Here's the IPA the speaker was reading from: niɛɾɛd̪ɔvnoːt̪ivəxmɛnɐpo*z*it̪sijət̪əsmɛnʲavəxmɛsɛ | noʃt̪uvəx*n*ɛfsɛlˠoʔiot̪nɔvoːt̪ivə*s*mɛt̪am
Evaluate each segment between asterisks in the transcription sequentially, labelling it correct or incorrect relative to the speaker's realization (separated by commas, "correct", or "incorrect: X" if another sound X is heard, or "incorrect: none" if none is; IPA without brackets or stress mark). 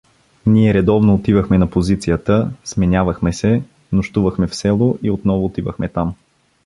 correct, incorrect: m, incorrect: x